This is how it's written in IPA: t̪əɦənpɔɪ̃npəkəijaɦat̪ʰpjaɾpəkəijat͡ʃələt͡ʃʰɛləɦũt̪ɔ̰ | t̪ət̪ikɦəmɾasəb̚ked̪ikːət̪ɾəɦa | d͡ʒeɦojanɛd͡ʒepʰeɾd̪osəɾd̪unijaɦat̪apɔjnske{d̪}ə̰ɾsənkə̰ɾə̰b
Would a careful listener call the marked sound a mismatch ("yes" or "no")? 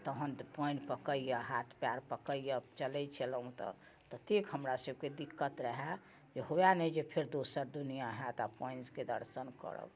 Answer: no